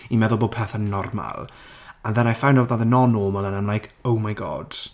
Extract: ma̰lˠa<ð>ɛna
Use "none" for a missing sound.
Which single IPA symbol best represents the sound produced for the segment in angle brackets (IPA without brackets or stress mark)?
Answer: ð